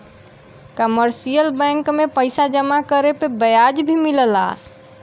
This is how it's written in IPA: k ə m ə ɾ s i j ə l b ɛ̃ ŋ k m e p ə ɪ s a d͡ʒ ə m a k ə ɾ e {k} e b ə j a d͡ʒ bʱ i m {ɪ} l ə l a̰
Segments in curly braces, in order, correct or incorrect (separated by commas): incorrect, incorrect